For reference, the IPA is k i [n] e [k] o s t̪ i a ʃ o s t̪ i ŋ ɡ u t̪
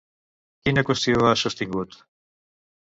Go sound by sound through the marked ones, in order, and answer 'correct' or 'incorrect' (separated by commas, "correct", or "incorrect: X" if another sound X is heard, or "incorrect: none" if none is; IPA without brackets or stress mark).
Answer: correct, correct